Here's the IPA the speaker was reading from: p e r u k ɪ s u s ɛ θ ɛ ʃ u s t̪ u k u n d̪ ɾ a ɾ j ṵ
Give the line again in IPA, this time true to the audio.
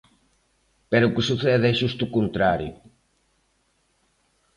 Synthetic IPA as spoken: p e ɾ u k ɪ s u θ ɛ ð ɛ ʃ u s t̪ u k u n t̪ ɾ a ɾ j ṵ